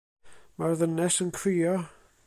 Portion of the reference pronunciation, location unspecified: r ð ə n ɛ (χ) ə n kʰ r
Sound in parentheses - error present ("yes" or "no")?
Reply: yes